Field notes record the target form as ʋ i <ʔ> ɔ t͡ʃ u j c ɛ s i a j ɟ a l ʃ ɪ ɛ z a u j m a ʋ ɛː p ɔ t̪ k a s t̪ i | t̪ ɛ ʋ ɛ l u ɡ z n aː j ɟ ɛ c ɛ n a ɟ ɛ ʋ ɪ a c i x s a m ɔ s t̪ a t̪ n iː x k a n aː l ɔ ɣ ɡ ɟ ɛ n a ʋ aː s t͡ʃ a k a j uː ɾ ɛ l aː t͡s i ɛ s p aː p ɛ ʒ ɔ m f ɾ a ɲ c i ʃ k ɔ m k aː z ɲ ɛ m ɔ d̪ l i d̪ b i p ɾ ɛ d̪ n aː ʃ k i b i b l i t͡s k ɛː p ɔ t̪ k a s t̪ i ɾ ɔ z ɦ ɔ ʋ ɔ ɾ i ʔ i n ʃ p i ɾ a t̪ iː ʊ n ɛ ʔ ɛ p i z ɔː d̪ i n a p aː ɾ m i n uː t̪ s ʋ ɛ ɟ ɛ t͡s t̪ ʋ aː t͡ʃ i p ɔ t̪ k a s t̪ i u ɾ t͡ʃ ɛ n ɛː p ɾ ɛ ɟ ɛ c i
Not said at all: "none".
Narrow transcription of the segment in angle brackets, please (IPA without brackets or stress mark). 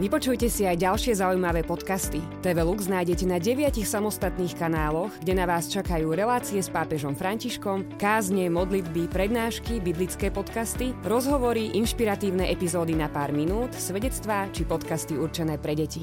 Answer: p